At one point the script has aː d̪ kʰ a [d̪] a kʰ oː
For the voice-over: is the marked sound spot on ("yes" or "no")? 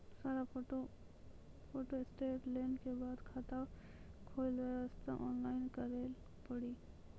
no